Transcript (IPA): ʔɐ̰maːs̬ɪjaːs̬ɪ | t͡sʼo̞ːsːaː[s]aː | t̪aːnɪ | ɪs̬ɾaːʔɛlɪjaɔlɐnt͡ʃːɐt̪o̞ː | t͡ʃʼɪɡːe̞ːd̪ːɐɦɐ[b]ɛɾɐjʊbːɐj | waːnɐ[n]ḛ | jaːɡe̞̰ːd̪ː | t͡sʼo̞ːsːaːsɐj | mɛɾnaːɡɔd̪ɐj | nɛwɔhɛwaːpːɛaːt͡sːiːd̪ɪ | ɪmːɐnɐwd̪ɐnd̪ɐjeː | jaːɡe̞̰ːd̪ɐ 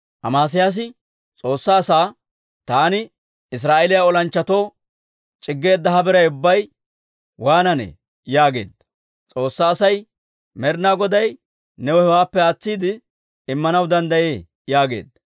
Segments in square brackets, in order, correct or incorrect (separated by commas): correct, correct, correct